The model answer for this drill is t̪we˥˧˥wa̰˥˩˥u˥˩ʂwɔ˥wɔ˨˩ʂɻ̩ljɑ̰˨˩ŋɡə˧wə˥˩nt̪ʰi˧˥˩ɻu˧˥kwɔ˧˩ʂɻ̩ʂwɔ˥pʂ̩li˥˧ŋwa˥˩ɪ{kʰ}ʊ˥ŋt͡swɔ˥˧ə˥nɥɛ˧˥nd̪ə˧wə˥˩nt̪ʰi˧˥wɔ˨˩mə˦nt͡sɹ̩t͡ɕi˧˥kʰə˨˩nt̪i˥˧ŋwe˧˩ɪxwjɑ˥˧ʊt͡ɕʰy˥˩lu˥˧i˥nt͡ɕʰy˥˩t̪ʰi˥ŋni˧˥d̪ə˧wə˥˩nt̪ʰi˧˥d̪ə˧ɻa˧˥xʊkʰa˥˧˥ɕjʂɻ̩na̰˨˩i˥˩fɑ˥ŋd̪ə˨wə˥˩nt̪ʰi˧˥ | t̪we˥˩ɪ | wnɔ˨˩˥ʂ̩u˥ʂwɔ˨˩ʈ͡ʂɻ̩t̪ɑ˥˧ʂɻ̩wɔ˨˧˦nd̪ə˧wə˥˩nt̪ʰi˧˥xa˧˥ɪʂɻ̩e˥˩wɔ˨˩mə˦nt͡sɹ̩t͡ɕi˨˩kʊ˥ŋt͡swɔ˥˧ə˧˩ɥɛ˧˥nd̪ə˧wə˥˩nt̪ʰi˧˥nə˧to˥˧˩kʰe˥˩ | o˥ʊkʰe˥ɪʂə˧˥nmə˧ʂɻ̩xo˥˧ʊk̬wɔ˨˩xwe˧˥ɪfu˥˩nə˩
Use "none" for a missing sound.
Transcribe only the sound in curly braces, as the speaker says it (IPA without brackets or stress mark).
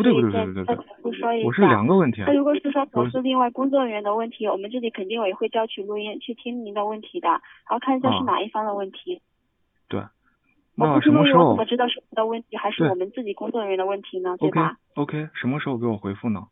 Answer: k